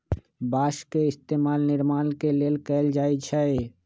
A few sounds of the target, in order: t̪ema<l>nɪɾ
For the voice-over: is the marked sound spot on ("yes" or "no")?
yes